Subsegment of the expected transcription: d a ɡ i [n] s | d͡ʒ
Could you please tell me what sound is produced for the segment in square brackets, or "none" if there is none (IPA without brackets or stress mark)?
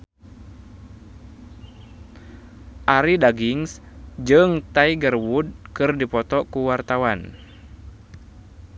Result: ŋ